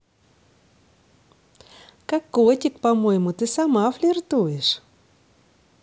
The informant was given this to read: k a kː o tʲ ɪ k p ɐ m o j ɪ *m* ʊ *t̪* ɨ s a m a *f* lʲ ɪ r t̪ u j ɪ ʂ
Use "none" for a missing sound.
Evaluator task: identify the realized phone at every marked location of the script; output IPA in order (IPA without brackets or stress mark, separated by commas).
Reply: m, t̪, f